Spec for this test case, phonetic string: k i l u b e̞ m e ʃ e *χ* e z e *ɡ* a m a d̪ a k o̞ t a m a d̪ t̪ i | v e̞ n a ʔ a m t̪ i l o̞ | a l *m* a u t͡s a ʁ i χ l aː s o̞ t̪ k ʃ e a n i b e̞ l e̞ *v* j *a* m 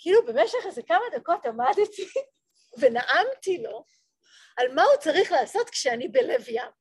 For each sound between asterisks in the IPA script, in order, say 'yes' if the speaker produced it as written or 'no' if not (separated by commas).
yes, no, yes, yes, yes